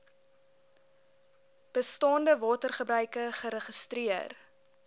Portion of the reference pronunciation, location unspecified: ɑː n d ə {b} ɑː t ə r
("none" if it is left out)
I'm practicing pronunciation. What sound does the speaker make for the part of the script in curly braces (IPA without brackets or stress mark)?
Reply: v